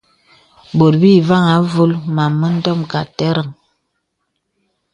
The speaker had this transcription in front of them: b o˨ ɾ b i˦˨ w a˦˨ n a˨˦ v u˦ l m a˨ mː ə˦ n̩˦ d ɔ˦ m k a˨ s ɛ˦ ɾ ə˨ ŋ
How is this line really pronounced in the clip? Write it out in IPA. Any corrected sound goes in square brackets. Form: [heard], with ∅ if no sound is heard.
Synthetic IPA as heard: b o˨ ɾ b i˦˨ [v] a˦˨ [ŋ] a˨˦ v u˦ l m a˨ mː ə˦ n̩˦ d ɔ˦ m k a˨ [t] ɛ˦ ɾ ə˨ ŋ